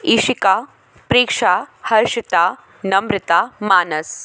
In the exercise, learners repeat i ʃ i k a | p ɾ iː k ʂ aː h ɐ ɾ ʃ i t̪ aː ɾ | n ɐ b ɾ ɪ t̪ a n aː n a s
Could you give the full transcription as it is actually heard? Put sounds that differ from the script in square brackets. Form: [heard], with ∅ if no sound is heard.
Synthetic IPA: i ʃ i k a | p ɾ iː k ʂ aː h ɐ ɾ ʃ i t̪ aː [∅] | n ɐ [m] ɾ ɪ t̪ a [m] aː n [ɐ] s